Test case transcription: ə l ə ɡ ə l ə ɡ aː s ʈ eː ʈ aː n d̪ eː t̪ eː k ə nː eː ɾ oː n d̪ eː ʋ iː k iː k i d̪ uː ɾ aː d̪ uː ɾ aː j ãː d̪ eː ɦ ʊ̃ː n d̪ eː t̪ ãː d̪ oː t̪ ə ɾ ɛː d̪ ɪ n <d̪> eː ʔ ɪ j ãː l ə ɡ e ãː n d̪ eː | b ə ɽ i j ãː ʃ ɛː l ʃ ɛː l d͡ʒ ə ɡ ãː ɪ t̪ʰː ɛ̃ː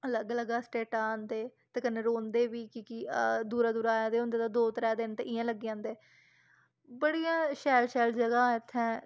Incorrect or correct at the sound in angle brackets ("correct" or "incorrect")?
incorrect